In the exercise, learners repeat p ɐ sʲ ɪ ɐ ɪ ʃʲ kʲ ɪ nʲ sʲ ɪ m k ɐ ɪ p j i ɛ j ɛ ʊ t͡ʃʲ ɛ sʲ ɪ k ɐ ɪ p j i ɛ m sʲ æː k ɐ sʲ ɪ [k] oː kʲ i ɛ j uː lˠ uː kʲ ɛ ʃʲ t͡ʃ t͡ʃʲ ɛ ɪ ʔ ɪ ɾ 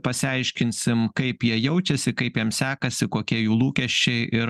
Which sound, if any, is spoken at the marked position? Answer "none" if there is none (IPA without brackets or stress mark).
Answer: k